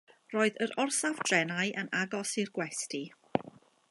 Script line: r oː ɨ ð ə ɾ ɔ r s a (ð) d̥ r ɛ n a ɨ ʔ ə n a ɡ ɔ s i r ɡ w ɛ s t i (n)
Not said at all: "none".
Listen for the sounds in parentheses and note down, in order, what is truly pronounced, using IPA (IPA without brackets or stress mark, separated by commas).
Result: v, none